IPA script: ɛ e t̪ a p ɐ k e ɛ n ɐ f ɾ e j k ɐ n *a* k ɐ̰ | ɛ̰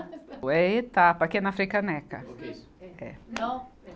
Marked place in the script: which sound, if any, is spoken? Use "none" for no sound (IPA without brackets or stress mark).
ɛ